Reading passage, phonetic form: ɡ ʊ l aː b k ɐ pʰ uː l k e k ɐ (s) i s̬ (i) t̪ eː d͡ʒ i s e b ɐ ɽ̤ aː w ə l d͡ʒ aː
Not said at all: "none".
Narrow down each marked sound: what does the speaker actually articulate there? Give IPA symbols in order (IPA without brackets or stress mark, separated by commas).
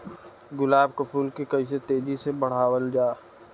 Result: none, e